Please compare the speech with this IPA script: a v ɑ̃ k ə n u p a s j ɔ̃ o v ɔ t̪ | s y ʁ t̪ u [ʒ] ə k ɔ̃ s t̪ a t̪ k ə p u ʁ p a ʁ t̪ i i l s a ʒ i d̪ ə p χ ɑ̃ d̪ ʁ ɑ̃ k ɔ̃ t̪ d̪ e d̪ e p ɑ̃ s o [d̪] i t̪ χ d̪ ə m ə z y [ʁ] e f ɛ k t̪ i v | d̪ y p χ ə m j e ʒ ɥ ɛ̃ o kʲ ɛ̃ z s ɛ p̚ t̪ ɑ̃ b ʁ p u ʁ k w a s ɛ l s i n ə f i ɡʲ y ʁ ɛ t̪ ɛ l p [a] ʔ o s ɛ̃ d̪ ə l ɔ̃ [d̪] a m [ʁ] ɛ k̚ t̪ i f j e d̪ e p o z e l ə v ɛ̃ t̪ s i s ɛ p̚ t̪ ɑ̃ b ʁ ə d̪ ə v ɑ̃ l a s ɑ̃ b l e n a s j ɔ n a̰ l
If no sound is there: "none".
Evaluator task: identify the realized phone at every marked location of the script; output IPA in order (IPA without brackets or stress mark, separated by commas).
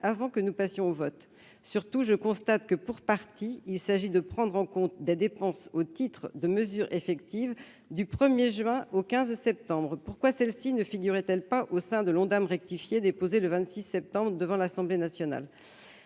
ʒ, t̪, ʁ, a, d̪, ʁ